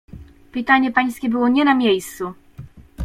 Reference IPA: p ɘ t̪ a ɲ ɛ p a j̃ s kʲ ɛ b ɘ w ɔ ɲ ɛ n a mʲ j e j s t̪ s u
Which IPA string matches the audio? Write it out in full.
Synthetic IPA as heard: p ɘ t̪ a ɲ ɛ p a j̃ s kʲ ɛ b ɘ w ɔ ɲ ɛ n a mʲ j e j s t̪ s u